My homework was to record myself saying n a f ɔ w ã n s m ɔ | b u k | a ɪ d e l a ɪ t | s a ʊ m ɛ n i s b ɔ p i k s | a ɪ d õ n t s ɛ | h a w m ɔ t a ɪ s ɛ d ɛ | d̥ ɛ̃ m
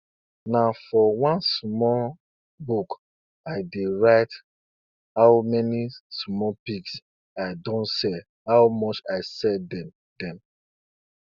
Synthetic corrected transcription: n a f ɔ w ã n s m ɔ | b u k | a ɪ d e ɹ a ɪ t | h a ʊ m ɛ n i s m ɔ p i k s | a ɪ d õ n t s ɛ | h a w m ɔ t͡ʃ a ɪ s ɛ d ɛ | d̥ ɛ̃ m